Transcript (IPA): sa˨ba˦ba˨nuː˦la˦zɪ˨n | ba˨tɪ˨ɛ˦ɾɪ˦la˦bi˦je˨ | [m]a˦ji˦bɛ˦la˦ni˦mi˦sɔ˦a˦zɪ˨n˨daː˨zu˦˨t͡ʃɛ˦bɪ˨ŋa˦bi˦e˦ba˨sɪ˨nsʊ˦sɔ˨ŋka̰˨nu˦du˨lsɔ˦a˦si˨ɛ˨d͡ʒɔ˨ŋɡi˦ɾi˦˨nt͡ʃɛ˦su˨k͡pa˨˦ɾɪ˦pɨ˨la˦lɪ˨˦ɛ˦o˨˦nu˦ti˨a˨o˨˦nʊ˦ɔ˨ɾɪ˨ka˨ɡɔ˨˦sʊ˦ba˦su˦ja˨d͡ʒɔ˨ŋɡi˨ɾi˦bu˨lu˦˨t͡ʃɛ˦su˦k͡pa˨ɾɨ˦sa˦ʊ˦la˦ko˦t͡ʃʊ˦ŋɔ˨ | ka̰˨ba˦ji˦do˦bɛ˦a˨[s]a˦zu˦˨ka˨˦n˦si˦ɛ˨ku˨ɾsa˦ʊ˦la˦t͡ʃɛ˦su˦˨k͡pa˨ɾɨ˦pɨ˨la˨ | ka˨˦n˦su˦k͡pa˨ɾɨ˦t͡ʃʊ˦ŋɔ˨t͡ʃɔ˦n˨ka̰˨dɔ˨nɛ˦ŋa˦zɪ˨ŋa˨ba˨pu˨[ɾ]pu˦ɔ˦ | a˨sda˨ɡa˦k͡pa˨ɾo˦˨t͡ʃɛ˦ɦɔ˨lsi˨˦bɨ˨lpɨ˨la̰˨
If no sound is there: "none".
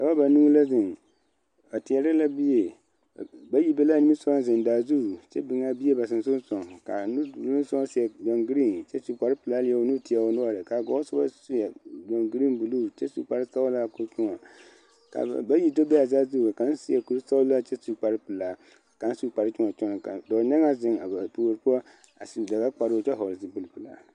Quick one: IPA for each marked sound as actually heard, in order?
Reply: b, z, ɾ

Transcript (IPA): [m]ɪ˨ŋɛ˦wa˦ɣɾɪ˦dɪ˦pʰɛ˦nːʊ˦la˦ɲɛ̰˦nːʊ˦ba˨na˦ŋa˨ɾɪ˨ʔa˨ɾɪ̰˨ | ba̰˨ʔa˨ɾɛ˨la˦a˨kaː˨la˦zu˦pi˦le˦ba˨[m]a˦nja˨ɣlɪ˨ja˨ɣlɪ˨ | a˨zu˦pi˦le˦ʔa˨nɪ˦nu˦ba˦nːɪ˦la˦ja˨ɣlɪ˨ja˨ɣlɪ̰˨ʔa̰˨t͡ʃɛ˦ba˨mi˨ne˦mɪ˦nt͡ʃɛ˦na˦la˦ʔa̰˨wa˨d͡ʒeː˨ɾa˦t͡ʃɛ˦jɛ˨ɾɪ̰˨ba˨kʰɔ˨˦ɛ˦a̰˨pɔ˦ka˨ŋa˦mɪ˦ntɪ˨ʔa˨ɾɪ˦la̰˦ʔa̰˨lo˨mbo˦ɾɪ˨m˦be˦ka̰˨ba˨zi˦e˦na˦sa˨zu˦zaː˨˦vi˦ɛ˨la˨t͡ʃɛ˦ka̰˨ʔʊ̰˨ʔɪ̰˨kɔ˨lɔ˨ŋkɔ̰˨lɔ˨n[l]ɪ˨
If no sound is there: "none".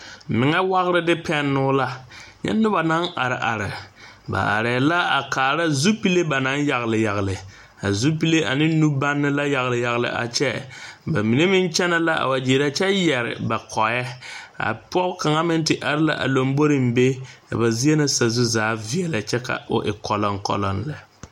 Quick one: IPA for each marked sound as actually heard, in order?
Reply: m, n, l

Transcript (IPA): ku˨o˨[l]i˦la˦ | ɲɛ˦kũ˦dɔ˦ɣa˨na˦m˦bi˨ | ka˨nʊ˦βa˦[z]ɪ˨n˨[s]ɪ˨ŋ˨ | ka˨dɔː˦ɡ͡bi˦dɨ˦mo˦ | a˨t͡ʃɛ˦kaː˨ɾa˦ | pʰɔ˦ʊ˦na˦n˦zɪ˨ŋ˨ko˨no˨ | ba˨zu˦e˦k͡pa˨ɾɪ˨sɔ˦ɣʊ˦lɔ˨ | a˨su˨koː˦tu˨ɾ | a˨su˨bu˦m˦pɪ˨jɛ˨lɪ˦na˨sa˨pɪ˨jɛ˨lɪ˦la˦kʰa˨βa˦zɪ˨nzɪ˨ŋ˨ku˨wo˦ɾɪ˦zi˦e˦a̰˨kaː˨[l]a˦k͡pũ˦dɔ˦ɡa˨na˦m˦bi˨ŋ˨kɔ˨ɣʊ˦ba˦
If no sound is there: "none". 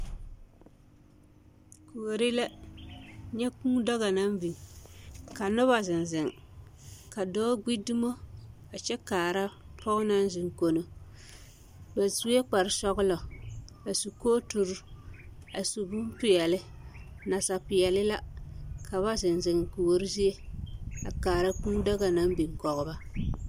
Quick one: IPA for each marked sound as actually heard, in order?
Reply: ɾ, z, z, ɾ

